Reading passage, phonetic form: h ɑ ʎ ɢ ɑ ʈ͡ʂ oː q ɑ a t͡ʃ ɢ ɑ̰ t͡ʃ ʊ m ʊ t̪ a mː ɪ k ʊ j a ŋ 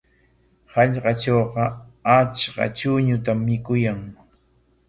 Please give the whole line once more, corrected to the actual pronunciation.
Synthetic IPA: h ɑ ʎ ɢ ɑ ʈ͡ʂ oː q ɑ a t͡ʃ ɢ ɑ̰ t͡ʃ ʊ ɲ ʊ t̪ a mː ɪ k ʊ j a ŋ